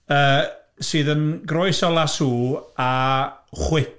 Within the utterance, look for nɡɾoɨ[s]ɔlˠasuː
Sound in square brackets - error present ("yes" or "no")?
no